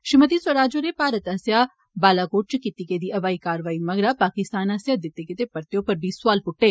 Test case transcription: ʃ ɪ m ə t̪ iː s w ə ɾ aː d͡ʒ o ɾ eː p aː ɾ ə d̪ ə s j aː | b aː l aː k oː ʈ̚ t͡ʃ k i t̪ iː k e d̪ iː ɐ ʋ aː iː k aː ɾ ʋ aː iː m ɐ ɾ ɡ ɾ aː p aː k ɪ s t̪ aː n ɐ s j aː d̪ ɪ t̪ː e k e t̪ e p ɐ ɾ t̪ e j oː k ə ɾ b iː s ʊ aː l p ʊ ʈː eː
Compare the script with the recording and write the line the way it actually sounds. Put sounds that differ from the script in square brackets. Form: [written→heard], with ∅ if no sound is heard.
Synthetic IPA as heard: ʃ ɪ m ə t̪ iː s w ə ɾ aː d͡ʒ o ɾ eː p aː ɾ ə [d̪→t̪] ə s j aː | b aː l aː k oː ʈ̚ t͡ʃ k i t̪ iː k e d̪ iː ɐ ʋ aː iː k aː ɾ ʋ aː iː m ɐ [ɾ→∅] ɡ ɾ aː p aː k ɪ s t̪ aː n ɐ s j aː d̪ ɪ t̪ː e k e t̪ e p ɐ ɾ t̪ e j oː [k→p] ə ɾ b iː s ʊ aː l p ʊ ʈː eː